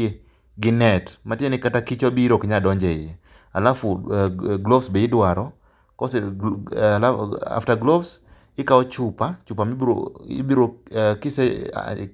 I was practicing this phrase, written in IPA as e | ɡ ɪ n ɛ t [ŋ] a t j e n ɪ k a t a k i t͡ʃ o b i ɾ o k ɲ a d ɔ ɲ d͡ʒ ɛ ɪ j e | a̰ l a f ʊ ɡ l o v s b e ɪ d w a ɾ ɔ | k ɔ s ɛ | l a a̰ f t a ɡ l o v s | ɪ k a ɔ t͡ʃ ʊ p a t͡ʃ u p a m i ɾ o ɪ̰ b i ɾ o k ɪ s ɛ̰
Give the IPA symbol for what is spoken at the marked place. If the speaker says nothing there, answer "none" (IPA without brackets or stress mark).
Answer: m